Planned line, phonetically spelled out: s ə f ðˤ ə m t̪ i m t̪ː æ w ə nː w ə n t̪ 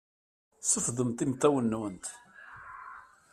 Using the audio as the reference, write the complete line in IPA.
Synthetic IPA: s ə f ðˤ ə m t̪ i m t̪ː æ w ə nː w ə n t̪